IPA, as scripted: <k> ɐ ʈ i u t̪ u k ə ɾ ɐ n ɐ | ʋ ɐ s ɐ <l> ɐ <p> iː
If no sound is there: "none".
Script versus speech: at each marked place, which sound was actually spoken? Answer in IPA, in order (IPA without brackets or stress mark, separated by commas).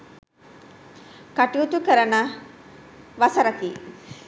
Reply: k, ɾ, k